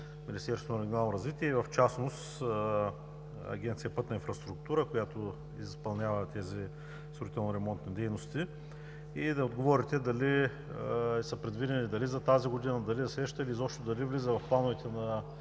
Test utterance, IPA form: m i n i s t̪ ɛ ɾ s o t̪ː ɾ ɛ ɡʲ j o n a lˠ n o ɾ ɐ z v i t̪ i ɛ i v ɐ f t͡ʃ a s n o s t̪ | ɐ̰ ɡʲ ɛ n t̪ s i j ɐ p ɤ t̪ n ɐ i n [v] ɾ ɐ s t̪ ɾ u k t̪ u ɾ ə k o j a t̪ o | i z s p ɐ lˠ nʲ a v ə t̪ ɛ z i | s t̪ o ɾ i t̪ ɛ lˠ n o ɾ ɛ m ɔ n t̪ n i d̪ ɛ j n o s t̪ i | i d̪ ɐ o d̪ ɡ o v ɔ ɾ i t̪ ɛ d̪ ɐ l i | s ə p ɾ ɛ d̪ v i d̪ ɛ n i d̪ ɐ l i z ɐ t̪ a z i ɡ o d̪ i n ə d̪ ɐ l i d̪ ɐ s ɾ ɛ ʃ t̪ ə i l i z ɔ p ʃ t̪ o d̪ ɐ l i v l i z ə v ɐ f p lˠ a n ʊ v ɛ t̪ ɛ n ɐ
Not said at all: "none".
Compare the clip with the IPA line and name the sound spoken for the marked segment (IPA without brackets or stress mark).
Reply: f